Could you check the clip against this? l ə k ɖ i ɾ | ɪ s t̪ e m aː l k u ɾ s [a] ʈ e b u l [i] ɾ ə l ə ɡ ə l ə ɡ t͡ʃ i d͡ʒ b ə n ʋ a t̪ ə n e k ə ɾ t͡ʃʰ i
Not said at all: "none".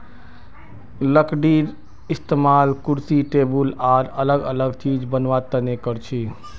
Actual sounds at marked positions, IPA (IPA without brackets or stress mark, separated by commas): i, a